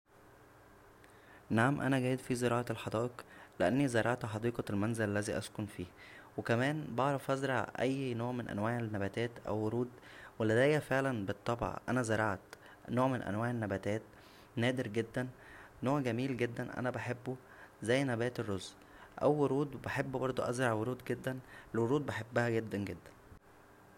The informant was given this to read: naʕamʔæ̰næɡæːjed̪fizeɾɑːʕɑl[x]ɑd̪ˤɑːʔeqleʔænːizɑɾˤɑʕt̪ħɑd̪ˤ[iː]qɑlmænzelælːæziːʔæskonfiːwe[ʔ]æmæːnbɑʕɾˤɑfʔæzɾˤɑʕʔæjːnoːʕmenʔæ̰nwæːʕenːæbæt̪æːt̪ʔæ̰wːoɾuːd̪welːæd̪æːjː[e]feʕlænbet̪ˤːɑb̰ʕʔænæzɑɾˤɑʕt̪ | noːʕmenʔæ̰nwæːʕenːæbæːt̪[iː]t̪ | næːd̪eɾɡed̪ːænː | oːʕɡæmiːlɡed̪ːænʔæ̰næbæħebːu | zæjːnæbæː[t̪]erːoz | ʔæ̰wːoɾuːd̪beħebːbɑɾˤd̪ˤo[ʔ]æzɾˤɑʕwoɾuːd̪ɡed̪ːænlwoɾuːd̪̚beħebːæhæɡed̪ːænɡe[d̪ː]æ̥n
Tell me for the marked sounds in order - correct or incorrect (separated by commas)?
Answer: incorrect, correct, incorrect, incorrect, incorrect, correct, correct, correct